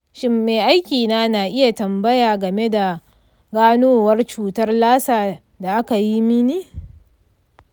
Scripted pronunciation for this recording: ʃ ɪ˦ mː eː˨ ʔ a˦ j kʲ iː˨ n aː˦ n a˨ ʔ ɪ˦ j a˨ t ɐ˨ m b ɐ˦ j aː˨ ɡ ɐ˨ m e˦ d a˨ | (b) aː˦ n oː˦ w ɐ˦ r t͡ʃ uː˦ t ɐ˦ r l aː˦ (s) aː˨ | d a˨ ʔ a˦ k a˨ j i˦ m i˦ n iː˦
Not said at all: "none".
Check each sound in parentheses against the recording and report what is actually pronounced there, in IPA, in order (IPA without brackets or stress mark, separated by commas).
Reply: ɡ, s